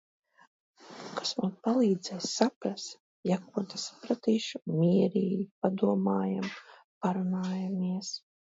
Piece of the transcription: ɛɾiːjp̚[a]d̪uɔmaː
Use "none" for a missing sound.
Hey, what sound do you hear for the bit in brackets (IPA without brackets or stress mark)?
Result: a